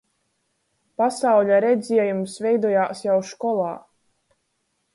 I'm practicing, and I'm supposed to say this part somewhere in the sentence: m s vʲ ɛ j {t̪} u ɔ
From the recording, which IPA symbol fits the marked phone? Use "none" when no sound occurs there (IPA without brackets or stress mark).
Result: d̪